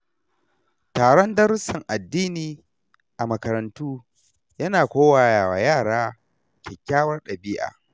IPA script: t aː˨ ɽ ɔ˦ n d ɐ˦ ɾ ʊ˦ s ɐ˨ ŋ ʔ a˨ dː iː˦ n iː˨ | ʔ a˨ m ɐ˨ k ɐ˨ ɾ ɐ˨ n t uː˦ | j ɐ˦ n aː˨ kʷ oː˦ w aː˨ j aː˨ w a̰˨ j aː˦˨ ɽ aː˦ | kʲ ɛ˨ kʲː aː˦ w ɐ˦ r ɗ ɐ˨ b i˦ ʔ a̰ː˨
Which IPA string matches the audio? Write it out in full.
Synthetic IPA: t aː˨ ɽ ɔ˦ n d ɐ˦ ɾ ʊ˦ s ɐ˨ ŋ ʔ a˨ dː iː˦ n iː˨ | ʔ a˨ m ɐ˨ k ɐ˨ ɾ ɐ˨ n t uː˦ | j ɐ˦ n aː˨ kʷ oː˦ w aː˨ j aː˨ w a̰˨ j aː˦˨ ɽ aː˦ | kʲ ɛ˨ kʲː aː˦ w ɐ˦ r ɗ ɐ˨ b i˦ ʔ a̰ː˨